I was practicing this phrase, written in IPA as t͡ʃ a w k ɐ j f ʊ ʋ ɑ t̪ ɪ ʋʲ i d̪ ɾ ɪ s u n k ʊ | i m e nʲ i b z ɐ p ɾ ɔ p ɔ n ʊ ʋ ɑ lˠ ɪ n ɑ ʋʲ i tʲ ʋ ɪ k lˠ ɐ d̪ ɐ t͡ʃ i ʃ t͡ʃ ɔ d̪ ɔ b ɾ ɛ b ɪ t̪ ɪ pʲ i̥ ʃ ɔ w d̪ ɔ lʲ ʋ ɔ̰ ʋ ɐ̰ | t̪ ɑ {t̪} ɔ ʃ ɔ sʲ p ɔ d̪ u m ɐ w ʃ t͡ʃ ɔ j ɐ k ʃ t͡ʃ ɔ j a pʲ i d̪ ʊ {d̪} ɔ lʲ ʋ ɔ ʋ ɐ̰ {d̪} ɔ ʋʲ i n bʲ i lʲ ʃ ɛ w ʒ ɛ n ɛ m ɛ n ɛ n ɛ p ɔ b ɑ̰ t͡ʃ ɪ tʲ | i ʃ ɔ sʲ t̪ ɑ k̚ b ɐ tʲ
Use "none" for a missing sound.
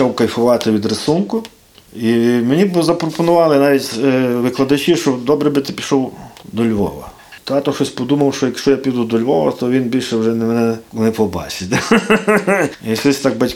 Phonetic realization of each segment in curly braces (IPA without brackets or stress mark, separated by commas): t̪, d̪, t̪